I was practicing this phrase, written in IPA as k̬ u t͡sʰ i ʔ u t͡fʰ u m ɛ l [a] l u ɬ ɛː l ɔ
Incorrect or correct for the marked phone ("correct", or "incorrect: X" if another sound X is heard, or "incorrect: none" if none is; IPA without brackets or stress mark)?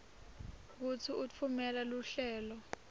correct